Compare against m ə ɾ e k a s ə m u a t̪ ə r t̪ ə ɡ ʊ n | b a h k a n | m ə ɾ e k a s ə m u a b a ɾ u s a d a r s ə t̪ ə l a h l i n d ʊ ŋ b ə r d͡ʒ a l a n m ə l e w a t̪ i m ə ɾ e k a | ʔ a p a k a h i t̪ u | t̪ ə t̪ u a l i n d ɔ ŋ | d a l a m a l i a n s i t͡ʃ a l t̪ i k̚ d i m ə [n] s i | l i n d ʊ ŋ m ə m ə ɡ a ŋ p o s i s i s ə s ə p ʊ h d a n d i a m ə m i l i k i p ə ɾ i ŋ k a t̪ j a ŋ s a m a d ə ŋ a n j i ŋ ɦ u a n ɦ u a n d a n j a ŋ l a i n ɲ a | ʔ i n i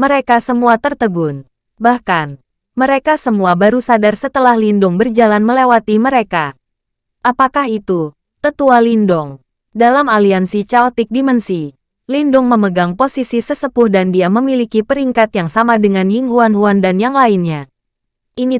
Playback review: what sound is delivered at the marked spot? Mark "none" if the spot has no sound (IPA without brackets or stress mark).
n